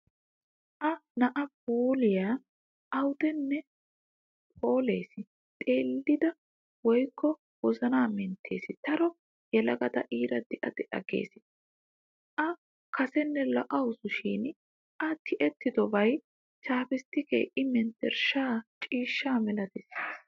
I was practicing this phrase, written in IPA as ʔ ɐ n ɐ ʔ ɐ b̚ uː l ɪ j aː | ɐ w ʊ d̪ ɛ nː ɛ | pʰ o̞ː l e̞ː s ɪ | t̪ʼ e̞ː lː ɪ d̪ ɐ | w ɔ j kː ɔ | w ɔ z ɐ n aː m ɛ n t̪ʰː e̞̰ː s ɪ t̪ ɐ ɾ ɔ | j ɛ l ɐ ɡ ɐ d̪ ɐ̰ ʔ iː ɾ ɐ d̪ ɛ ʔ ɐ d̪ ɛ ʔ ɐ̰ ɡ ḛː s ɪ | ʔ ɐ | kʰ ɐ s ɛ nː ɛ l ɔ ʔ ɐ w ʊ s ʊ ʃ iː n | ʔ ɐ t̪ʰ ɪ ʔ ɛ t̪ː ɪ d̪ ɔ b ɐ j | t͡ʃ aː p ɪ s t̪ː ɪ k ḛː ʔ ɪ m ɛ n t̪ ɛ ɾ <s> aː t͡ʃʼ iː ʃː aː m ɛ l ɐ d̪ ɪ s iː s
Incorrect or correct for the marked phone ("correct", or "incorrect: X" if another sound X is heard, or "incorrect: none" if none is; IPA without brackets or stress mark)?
incorrect: ʃ